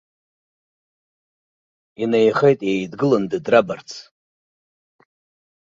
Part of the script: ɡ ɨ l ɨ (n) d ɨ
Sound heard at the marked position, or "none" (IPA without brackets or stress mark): n